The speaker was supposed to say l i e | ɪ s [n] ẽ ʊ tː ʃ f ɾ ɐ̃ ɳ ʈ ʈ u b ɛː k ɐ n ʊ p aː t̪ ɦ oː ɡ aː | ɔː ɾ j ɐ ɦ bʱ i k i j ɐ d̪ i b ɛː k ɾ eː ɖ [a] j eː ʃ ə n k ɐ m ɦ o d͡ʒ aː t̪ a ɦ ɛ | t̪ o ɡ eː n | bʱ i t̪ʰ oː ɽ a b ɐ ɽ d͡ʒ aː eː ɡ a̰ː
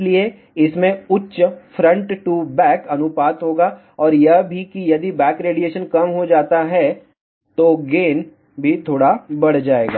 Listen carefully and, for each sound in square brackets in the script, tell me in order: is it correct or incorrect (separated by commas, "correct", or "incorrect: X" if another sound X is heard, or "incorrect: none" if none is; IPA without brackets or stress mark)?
incorrect: m, incorrect: i